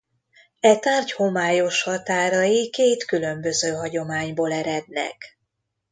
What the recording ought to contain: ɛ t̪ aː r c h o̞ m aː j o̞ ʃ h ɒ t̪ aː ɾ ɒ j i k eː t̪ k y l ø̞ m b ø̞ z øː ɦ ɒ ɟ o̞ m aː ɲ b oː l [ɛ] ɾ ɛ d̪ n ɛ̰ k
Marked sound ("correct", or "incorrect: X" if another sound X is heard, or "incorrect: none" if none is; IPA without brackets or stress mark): correct